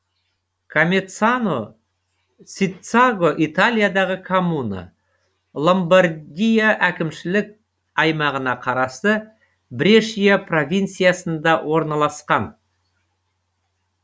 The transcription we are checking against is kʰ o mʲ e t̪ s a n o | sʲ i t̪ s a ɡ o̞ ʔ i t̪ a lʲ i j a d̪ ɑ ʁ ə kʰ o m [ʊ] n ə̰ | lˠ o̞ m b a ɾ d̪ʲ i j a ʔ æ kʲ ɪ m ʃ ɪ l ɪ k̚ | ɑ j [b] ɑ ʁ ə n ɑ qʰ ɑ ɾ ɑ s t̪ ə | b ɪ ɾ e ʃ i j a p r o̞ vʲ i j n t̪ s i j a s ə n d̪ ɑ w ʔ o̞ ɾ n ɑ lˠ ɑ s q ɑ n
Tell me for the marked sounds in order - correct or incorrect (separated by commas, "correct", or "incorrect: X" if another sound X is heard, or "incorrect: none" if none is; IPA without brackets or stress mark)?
incorrect: u, incorrect: m